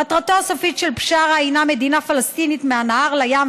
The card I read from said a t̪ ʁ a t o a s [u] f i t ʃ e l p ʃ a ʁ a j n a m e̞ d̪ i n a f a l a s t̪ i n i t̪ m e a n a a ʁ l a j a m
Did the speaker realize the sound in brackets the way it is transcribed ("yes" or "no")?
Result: no